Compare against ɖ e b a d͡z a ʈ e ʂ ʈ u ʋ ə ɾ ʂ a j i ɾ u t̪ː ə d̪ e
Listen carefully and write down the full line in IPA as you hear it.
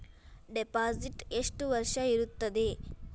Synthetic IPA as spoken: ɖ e p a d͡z i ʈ e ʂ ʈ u ʋ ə ɾ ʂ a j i ɾ u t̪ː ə d̪ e